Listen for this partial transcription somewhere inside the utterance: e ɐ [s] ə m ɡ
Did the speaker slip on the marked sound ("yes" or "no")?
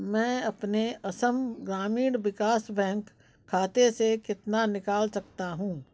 no